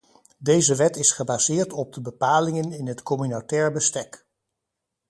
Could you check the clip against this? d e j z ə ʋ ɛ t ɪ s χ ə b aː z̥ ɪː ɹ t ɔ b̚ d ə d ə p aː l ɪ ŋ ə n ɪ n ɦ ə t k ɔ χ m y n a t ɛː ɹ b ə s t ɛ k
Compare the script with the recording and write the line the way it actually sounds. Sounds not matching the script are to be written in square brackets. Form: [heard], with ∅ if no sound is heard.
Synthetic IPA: d e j z ə ʋ ɛ t ɪ s χ ə b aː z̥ ɪː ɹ t ɔ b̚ d ə [b] ə p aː l ɪ ŋ ə n ɪ n ɦ ə t k ɔ [∅] m y n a t ɛː ɹ b ə s t ɛ k